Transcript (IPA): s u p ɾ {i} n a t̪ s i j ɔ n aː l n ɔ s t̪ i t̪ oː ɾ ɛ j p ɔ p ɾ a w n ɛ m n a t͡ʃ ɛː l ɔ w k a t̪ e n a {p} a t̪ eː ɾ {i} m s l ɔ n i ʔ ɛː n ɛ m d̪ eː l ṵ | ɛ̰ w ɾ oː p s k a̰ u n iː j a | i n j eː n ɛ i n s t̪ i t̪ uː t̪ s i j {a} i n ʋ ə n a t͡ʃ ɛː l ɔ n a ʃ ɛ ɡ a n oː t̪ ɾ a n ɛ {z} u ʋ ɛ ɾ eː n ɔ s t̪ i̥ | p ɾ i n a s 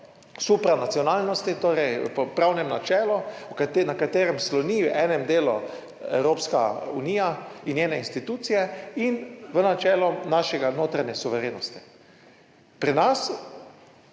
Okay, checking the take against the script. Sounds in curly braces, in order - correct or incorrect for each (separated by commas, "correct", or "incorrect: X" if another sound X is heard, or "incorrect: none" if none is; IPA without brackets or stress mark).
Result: incorrect: a, incorrect: k, incorrect: ɛ, incorrect: ɛ, incorrect: s